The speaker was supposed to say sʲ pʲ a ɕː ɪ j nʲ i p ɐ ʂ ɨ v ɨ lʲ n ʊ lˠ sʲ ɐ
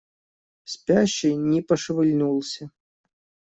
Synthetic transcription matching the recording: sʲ pʲ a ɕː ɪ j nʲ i p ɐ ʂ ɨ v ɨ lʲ n u lˠ sʲ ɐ